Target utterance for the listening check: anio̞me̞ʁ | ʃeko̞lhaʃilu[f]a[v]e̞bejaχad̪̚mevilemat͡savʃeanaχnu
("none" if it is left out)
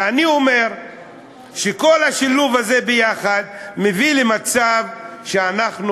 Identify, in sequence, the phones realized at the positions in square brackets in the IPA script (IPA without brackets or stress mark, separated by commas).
v, z